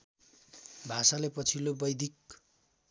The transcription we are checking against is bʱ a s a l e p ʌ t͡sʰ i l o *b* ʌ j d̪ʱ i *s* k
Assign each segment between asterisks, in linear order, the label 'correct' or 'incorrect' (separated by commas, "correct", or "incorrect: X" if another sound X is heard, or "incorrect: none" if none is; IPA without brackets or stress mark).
correct, incorrect: none